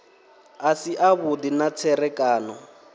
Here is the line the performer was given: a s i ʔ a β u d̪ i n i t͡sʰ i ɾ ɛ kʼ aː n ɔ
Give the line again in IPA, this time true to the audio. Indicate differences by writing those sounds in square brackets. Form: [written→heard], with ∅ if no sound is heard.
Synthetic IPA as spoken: a s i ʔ a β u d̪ i n [i→a] t͡sʰ [i→ɛ] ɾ ɛ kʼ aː n ɔ